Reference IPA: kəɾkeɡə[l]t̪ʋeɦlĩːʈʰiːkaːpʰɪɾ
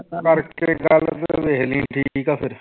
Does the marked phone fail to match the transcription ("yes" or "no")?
no